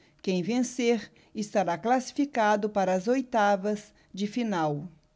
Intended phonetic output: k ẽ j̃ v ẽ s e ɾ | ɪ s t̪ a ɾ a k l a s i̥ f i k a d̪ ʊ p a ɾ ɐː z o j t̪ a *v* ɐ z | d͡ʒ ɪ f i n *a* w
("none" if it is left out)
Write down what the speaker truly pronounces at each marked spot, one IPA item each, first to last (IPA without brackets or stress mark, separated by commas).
v, a